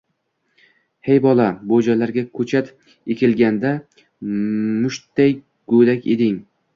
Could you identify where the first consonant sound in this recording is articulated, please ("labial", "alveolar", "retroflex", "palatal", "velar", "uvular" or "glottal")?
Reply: glottal